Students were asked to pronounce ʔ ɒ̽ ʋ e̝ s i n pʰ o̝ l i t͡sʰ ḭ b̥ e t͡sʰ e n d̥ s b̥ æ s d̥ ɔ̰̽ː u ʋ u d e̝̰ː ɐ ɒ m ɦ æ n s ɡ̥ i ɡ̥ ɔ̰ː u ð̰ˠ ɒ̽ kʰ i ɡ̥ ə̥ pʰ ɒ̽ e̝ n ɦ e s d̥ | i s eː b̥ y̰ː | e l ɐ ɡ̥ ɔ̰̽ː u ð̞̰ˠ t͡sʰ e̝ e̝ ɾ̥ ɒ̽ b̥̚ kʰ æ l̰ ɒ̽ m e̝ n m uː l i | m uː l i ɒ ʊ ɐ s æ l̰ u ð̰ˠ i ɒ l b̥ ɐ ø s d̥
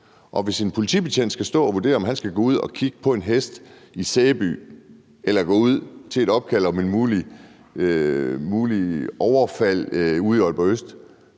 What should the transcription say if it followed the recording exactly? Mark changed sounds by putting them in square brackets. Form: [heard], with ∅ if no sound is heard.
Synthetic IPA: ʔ ɒ̽ ʋ e̝ s i n pʰ o̝ l i t͡sʰ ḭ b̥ e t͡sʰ e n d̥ s [ɡ̥] æ s d̥ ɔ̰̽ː [ɒ] ʋ u d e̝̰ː ɐ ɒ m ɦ æ n s ɡ̥ [æ] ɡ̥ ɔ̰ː u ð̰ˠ ɒ̽ kʰ i ɡ̥ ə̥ pʰ ɒ̽ e̝ n ɦ e s d̥ | i s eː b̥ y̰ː | e l ɐ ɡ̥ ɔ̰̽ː u ð̞̰ˠ t͡sʰ e̝ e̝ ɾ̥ ɒ̽ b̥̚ kʰ æ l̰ ɒ̽ m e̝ n m uː l i | m uː l i ɒ ʊ ɐ [f] æ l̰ u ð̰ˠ i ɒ l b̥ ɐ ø s d̥